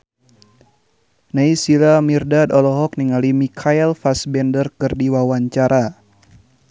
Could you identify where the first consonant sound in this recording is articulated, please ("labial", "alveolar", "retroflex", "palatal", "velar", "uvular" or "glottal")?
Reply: alveolar